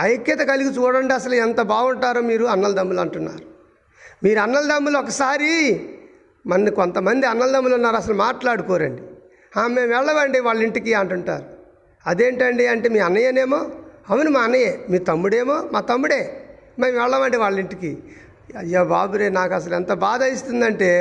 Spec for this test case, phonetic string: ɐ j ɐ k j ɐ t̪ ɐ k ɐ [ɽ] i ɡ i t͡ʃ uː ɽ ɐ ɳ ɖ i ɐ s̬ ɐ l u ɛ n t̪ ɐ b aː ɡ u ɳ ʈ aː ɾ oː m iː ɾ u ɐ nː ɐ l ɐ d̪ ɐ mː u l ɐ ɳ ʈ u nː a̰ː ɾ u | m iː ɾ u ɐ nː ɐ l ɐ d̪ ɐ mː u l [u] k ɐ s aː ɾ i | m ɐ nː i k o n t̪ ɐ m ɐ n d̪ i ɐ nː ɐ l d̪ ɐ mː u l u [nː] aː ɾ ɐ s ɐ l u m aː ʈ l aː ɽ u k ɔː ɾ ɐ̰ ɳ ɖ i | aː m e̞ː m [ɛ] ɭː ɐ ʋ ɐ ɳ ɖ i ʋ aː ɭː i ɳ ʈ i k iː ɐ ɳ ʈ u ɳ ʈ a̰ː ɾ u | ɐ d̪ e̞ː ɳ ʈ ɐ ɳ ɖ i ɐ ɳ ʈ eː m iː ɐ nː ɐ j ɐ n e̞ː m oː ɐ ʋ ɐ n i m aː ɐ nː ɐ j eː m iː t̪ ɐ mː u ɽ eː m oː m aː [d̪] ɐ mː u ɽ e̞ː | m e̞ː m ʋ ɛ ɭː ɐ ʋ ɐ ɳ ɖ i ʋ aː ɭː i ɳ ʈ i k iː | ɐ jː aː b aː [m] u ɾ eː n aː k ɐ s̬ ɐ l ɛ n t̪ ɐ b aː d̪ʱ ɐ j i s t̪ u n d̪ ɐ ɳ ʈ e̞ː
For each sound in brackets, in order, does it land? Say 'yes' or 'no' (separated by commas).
no, no, yes, yes, no, no